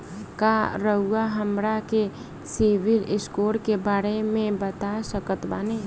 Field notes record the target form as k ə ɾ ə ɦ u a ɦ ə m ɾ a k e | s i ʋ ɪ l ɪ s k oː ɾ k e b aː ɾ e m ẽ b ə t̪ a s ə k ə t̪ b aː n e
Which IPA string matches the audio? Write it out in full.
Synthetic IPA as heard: k a ɾ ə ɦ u a ɦ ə m ɾ a k e | s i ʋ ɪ l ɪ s k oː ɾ k e b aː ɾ e m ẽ b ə t̪ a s ə k ə t̪ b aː n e